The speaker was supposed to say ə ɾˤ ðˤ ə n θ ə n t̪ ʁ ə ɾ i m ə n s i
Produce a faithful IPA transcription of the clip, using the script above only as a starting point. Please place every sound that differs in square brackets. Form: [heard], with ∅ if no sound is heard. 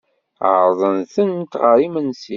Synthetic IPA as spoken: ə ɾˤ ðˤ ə n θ ə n t̪ ʁ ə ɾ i m ə n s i